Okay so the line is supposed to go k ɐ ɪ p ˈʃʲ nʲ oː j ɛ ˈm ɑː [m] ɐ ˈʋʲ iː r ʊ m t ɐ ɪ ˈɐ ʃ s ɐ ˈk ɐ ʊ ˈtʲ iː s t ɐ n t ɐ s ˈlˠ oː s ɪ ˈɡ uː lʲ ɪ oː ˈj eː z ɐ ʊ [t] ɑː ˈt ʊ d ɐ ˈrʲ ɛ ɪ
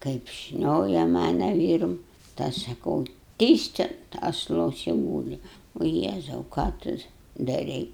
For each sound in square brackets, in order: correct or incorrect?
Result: incorrect, incorrect

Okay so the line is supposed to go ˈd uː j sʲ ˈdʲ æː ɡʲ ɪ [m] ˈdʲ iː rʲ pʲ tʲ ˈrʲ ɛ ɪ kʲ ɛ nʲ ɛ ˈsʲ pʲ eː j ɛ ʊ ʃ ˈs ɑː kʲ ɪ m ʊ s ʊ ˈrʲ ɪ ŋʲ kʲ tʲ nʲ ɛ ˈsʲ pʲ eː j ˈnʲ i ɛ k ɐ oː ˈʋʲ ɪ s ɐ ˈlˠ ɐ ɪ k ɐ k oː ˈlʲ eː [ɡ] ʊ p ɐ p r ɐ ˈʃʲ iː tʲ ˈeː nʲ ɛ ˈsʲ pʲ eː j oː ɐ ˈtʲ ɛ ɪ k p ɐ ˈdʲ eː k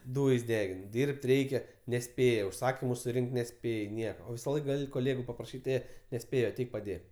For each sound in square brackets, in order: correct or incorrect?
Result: incorrect, correct

